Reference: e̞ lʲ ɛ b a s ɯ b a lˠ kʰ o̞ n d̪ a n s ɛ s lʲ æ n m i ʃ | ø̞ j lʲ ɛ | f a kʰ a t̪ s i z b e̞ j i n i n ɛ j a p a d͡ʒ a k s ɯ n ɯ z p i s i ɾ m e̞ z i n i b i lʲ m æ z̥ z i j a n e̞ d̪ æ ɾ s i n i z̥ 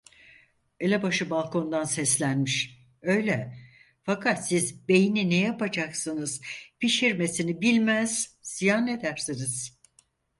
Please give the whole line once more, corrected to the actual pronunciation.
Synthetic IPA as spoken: e̞ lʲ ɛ b a ʃ ɯ b a lˠ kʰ o̞ n d̪ a n s ɛ s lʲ æ n m i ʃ | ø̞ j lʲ ɛ | f a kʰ a t̪ s i z b e̞ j i n i n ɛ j a p a d͡ʒ a k s ɯ n ɯ z p i ʃ i ɾ m e̞ s i n i b i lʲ m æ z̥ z i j a n e̞ d̪ æ ɾ s i n i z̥